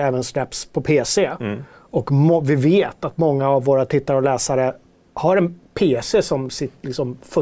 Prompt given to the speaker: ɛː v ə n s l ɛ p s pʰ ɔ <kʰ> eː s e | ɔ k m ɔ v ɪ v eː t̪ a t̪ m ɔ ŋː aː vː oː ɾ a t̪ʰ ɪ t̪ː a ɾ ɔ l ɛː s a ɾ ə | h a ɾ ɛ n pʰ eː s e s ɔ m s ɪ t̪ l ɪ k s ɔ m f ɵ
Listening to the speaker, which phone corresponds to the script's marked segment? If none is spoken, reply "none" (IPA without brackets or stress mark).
pʰ